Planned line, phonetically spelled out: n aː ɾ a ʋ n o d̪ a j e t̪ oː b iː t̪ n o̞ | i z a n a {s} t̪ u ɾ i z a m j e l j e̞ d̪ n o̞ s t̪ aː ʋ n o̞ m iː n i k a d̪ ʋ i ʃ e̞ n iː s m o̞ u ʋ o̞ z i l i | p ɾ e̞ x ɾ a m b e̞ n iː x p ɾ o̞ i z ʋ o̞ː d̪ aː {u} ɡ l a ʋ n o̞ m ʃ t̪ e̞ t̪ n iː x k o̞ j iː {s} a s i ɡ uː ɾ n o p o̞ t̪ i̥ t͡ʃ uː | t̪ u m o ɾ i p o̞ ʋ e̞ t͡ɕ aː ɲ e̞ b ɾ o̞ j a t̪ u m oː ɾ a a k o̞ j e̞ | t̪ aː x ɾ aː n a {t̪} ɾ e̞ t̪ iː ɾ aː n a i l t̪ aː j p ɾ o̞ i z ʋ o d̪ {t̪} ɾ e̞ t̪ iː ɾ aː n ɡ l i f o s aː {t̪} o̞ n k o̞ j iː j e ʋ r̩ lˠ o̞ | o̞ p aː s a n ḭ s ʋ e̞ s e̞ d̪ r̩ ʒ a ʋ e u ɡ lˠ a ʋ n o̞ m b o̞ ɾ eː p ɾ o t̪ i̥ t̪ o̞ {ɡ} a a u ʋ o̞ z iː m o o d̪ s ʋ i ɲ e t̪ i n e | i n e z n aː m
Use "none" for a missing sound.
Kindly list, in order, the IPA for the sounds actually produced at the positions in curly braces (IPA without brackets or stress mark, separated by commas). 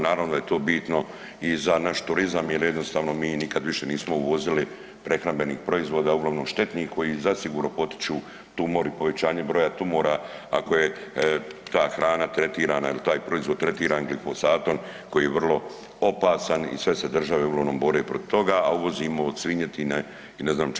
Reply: ʃ, u, z, t̪, t̪, t̪, ɡ